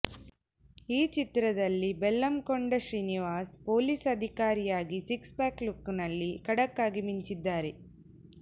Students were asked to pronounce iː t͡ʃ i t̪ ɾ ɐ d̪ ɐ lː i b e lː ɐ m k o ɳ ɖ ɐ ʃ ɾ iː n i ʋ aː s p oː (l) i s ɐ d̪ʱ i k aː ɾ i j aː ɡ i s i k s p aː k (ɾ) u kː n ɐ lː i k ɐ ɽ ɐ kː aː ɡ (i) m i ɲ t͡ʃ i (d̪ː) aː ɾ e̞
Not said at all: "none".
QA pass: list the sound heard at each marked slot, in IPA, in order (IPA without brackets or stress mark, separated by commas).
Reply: l, l, i, d̪ː